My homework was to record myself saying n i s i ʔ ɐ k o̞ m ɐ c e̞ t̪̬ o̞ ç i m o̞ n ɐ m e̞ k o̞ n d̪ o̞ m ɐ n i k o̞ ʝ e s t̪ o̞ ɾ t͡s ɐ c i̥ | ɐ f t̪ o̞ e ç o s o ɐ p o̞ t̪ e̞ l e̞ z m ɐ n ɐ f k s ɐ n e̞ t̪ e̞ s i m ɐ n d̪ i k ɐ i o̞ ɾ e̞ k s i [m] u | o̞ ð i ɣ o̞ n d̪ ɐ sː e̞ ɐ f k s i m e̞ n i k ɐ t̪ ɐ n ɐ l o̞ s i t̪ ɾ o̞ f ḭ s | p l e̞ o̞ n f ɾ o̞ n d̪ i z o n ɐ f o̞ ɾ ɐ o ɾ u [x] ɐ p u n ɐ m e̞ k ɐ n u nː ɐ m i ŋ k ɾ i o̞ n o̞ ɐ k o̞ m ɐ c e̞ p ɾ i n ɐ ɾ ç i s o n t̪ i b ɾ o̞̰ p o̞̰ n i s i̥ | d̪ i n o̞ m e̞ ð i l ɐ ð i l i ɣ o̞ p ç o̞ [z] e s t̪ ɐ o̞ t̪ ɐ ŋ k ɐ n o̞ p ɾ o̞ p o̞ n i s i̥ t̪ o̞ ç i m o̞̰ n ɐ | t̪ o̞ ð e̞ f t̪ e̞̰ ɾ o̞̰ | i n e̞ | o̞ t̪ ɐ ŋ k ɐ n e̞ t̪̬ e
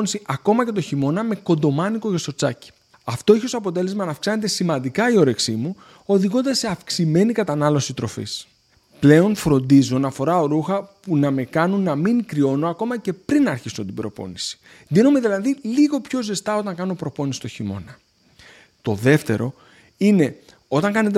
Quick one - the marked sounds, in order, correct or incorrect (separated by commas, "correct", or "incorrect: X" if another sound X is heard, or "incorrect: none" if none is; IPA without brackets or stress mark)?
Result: correct, correct, correct